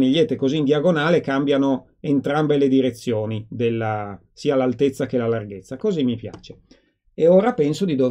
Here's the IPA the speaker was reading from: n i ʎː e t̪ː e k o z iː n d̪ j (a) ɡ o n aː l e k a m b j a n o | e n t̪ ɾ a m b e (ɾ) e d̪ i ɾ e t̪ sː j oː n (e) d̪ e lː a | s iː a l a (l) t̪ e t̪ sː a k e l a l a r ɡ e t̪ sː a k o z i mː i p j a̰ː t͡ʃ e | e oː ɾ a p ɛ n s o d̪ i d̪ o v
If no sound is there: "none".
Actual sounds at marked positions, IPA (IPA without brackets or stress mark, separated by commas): a, l, i, l